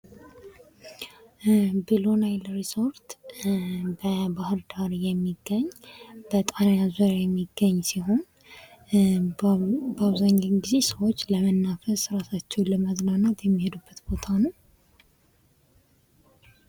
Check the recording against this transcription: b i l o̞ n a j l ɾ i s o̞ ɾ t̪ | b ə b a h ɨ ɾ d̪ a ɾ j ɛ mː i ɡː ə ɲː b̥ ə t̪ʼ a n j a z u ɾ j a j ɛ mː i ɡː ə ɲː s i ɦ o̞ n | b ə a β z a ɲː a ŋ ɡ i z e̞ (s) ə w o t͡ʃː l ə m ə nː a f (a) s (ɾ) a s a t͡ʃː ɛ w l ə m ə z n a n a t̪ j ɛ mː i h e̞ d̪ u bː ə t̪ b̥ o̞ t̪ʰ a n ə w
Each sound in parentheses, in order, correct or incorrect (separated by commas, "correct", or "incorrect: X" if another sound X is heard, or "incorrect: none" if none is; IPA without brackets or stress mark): correct, incorrect: ə, correct